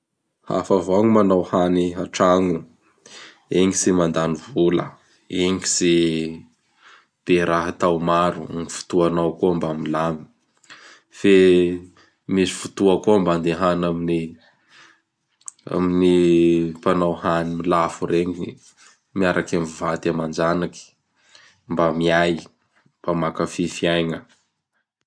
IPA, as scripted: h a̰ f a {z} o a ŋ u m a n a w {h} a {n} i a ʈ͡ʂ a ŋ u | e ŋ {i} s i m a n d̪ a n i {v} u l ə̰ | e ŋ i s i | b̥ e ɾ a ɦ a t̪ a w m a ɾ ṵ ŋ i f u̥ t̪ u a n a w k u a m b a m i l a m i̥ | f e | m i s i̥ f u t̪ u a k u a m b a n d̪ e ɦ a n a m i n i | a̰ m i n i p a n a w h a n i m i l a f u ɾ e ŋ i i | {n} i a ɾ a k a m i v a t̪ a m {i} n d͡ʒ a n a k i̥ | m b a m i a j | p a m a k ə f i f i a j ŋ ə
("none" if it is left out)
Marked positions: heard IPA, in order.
v, h, n, i, v, m, a

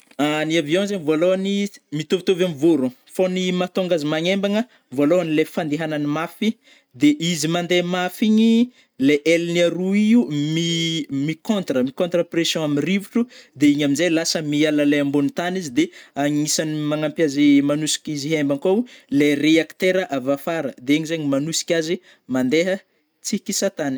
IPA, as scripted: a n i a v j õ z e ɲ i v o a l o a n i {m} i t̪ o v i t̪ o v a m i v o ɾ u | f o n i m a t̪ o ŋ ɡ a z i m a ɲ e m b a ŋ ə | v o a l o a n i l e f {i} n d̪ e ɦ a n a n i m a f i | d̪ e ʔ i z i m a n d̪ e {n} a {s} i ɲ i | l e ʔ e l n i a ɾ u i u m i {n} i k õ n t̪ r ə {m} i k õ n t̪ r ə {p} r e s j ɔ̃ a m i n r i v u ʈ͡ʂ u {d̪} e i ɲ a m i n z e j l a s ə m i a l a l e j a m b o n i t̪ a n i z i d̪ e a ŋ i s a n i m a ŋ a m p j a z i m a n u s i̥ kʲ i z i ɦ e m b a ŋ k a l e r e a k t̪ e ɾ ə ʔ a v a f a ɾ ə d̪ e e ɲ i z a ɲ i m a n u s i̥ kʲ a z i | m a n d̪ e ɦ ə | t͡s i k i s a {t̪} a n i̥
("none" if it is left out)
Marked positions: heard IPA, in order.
m, a, m, f, m, m, p, d̪, t̪

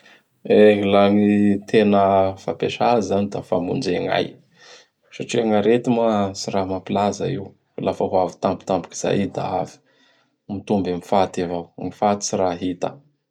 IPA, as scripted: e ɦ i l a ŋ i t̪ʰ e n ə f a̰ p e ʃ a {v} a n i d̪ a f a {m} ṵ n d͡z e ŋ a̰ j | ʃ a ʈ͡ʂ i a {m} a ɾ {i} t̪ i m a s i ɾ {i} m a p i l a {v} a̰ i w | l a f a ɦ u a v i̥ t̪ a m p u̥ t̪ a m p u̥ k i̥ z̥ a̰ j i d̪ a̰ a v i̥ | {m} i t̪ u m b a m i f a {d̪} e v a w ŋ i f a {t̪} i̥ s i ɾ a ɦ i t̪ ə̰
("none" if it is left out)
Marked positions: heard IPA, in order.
z, m, ŋ, e, a, z, m, t̪, t̪

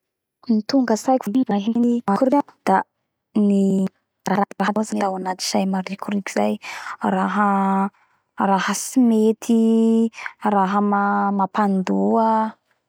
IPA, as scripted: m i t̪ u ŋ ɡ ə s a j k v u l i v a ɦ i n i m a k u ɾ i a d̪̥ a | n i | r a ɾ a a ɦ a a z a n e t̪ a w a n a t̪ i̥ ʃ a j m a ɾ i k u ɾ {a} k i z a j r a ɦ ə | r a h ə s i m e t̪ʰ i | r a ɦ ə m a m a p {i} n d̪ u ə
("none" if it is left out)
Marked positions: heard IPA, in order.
i, a

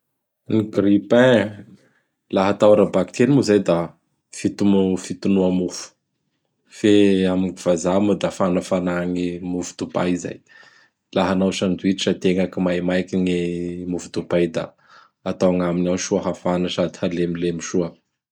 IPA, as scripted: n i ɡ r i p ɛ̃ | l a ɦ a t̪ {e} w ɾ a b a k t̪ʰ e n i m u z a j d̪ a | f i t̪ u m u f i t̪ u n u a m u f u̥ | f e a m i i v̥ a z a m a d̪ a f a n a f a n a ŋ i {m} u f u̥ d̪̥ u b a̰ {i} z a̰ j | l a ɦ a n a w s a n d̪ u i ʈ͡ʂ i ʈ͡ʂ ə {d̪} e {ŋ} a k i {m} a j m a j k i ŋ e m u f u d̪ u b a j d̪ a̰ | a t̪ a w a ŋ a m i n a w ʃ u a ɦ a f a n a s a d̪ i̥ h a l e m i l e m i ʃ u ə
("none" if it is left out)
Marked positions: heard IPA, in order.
a, m, i, t̪, ŋ, m

